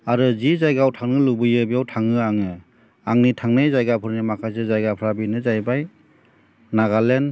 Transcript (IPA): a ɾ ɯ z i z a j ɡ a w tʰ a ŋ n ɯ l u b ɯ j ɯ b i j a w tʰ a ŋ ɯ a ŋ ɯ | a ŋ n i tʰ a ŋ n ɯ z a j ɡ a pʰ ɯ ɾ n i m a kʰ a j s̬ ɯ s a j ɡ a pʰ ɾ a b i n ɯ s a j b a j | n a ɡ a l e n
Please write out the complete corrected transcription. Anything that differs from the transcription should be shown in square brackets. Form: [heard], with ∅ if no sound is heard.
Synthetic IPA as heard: a ɾ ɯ z i z a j ɡ a w tʰ a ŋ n ɯ l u b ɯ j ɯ b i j a w tʰ a ŋ ɯ a ŋ ɯ | a ŋ n i tʰ a ŋ n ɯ z a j ɡ a pʰ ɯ ɾ n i m a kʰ a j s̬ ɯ [z] a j ɡ a pʰ ɾ a b i n ɯ [z] a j b a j | n a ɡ a l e n